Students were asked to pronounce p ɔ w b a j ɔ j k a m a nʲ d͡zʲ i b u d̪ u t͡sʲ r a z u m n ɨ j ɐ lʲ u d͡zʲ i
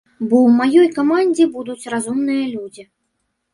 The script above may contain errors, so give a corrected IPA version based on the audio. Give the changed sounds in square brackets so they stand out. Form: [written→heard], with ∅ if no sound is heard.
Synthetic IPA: [p→b] ɔ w [b→m] a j ɔ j k a m a nʲ d͡zʲ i b u d̪ u t͡sʲ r a z u m n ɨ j ɐ lʲ u d͡zʲ i